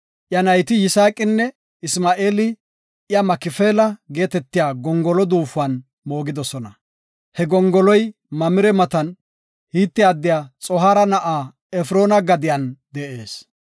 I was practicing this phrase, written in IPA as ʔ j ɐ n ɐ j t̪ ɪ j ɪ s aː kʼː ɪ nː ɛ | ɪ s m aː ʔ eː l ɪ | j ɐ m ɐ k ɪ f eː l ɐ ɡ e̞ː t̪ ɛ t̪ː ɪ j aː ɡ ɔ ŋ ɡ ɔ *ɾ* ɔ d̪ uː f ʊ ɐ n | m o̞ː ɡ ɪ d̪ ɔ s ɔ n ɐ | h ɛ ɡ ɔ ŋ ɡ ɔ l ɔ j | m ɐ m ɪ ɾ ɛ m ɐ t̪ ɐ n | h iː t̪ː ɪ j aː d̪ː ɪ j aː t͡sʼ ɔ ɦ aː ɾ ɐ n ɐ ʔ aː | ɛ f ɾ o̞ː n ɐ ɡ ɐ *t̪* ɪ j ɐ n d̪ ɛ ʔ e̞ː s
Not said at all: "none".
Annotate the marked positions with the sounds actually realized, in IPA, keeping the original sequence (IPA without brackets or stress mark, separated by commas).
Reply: l, d̪